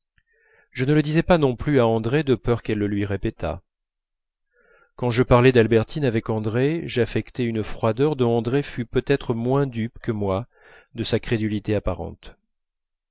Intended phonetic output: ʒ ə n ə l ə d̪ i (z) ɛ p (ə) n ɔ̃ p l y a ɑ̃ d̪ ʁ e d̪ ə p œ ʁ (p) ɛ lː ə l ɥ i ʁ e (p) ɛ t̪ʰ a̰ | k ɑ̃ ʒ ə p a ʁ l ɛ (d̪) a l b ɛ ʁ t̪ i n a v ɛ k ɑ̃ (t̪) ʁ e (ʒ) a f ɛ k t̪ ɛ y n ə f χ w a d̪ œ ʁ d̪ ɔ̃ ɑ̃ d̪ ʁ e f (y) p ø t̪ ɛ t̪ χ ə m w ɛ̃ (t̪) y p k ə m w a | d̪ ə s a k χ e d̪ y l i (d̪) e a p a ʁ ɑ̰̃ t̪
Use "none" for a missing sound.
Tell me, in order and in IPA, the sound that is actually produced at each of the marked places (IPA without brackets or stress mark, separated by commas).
z, a, k, p, d̪, d̪, ʒ, y, d̪, t̪